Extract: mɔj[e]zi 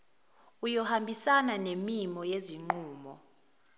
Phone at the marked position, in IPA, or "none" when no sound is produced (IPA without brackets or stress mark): e